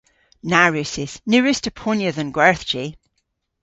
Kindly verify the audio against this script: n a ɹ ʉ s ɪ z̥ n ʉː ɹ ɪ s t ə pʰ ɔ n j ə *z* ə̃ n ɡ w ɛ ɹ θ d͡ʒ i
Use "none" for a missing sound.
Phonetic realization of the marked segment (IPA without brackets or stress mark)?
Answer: ð